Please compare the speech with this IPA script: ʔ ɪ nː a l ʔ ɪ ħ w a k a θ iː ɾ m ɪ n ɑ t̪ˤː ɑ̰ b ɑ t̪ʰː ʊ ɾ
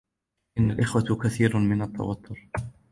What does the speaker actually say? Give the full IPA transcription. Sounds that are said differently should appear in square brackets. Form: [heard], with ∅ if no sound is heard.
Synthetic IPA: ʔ ɪ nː a l ʔ ɪ [x] w a k a θ iː ɾ m ɪ n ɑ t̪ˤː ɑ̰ [w] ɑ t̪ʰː ʊ ɾ